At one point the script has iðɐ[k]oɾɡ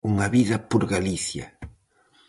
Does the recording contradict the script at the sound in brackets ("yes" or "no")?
yes